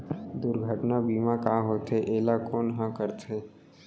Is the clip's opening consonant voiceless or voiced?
voiced